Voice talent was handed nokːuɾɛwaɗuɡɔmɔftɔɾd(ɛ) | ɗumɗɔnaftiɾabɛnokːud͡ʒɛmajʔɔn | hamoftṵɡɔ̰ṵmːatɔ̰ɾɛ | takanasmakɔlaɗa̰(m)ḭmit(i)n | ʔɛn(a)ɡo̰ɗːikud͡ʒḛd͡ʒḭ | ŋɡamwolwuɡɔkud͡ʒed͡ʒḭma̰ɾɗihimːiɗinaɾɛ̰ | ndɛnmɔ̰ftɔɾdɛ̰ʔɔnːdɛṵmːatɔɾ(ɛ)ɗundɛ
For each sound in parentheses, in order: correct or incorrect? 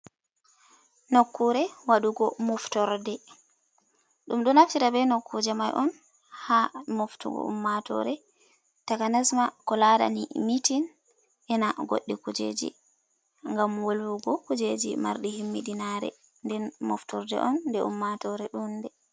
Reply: correct, incorrect, correct, correct, correct

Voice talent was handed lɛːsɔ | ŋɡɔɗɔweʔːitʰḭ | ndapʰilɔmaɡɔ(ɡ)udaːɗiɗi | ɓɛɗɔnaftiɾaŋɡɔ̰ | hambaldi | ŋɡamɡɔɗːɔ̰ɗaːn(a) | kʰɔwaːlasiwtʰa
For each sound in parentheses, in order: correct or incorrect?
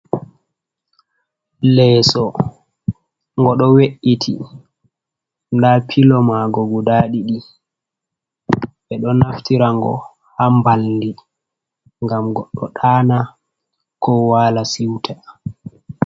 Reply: correct, correct

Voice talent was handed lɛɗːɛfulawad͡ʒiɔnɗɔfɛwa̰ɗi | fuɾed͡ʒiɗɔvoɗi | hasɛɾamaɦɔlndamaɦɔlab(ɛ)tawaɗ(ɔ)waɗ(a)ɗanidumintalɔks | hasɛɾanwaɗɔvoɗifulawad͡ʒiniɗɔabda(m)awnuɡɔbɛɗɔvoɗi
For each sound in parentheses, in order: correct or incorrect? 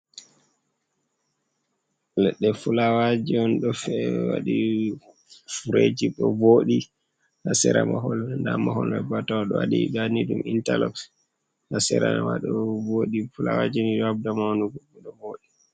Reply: incorrect, correct, incorrect, correct

